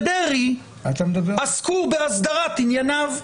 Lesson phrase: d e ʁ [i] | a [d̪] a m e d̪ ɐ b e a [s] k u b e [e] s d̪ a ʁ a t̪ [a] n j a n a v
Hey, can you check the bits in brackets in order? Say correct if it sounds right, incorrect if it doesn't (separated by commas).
correct, incorrect, correct, incorrect, incorrect